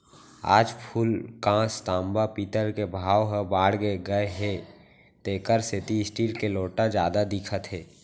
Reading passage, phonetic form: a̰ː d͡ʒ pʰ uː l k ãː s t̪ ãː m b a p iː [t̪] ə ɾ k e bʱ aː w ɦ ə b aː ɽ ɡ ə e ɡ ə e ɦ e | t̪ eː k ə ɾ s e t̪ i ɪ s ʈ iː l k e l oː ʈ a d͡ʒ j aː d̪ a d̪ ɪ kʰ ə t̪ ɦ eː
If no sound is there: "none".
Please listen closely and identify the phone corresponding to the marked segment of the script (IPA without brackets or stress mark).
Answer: t̪